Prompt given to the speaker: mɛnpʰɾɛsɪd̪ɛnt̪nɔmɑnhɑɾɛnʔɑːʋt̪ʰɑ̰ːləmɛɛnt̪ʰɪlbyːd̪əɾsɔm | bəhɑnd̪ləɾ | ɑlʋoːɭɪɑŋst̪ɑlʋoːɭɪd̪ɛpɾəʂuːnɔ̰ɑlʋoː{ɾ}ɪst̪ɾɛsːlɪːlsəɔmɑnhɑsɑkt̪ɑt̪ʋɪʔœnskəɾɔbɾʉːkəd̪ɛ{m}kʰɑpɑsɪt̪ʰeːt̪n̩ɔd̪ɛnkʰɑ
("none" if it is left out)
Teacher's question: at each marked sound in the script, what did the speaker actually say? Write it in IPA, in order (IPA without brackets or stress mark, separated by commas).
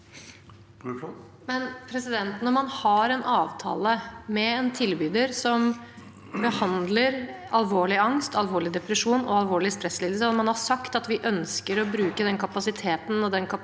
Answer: ɭ, n